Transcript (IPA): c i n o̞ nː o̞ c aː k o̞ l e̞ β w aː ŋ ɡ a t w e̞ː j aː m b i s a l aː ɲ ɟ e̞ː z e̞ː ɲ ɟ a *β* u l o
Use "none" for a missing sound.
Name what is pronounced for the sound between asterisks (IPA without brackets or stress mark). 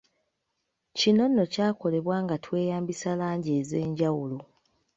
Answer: w